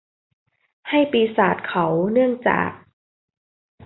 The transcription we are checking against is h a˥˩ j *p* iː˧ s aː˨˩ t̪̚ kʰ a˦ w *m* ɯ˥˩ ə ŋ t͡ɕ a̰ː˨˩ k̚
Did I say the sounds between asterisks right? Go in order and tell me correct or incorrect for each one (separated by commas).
correct, incorrect